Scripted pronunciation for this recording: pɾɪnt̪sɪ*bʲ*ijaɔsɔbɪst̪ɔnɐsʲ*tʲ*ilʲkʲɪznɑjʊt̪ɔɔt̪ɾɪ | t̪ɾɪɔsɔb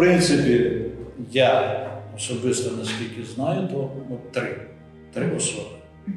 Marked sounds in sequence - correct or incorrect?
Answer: incorrect, incorrect

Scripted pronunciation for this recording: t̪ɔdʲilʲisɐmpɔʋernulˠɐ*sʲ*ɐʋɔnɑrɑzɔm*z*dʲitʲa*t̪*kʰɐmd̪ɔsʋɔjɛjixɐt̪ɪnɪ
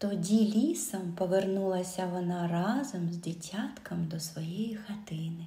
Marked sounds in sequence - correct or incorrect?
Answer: correct, correct, correct

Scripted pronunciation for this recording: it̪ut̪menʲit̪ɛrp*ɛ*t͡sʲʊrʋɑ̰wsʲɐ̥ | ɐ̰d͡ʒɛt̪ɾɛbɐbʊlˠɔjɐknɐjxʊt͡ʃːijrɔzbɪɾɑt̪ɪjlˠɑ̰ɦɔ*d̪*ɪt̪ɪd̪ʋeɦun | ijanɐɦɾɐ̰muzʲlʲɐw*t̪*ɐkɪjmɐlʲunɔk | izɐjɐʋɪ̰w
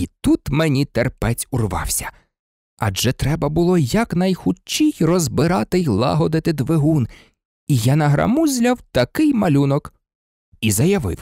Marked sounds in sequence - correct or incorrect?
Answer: correct, correct, correct

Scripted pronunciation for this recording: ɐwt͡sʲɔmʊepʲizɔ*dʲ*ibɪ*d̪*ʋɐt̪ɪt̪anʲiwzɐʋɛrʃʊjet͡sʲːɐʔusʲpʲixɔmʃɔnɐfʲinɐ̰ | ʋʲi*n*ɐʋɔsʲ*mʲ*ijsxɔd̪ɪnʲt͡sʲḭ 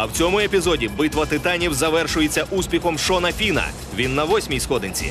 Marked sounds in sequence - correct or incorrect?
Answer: correct, incorrect, incorrect, correct

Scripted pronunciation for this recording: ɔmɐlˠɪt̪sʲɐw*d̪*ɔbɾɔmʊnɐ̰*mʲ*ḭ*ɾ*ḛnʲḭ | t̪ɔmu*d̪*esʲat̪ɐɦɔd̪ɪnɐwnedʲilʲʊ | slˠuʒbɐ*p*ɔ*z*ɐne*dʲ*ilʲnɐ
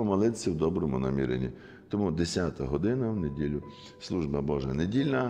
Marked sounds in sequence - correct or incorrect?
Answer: correct, correct, correct, correct, incorrect, incorrect, correct

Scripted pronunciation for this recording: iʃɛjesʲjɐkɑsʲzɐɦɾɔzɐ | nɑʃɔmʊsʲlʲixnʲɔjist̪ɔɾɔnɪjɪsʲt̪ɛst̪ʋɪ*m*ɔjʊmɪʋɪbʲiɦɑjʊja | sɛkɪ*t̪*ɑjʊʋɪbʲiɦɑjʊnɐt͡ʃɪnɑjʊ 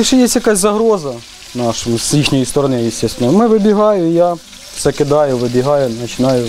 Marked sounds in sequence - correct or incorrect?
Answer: incorrect, incorrect

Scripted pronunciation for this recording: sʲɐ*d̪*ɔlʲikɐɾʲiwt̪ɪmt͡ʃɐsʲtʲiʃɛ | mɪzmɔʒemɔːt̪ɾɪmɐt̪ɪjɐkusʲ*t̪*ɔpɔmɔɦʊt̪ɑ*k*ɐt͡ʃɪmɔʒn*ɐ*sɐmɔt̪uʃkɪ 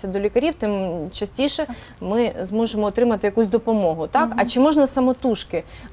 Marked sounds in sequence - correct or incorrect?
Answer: correct, incorrect, correct, correct

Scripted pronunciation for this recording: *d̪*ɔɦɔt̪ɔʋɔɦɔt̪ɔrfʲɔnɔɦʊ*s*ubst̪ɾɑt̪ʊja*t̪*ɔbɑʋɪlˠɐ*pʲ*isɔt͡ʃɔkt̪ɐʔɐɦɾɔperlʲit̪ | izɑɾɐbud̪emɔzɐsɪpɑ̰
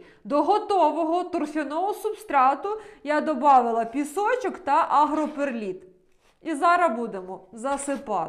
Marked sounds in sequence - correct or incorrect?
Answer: correct, correct, incorrect, correct

